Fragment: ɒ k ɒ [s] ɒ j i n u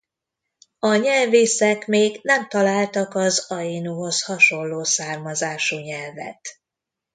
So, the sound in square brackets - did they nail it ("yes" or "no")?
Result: no